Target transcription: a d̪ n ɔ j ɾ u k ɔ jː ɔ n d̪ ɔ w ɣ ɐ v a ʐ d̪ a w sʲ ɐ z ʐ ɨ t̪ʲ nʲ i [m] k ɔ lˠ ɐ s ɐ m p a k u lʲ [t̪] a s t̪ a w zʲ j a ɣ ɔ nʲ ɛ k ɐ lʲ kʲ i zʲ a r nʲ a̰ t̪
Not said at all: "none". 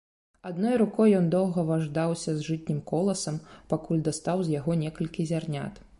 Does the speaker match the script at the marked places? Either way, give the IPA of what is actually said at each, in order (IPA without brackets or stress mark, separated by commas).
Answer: m, d̪